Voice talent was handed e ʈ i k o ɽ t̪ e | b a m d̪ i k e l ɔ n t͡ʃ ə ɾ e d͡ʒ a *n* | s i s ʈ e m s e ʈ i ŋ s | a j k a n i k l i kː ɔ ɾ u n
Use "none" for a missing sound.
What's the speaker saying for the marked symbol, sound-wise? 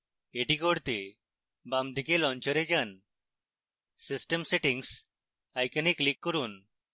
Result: n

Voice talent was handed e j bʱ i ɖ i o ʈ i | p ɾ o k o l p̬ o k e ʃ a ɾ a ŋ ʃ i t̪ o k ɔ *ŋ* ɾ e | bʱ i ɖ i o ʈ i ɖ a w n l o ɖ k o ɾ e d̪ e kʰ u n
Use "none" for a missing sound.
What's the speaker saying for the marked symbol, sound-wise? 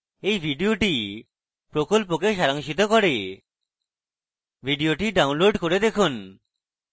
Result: none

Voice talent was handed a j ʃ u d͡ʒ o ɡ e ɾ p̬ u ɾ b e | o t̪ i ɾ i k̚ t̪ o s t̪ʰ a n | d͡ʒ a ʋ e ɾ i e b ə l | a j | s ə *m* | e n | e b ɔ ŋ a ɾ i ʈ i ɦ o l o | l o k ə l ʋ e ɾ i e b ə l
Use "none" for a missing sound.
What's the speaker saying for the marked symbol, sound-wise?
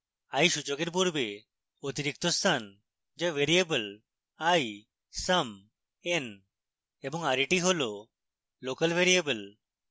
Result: m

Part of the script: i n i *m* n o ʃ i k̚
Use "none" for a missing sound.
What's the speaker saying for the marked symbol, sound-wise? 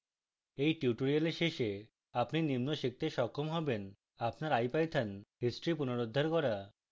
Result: m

